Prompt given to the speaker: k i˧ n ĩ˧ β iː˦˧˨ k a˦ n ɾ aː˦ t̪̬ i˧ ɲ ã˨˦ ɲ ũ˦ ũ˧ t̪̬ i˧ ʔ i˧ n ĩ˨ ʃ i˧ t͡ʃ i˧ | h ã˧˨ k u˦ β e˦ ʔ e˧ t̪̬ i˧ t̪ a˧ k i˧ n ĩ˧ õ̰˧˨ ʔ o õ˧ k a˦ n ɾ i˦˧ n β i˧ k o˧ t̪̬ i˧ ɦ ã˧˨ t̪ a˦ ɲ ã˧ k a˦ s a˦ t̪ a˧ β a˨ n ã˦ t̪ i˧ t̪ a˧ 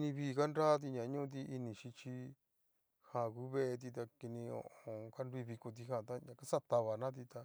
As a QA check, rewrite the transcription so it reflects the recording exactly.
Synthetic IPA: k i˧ n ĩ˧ β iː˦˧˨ k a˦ n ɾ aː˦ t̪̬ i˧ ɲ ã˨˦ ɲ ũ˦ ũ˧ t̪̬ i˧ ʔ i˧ n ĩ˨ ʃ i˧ t͡ʃ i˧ | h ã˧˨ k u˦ β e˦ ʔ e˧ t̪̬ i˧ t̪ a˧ k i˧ n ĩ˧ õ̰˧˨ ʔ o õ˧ k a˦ n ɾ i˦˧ β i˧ k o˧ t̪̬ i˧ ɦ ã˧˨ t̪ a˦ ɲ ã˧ k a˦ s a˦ t̪ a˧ β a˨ n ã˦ t̪ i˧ t̪ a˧